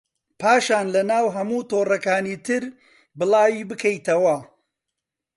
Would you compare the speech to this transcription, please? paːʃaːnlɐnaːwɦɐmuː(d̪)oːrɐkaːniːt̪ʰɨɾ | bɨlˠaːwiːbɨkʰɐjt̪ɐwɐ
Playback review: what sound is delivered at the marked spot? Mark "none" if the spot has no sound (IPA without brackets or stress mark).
t̪